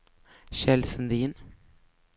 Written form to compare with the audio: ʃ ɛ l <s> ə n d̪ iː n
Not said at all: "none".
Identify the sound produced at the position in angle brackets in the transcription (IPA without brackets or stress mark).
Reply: s